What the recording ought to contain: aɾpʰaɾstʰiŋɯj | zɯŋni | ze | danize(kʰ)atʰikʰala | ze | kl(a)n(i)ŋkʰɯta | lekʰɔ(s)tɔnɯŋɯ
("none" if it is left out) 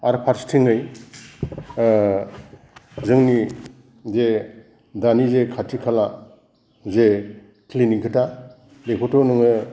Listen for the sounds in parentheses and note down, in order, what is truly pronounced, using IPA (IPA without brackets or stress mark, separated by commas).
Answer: kʰ, i, i, none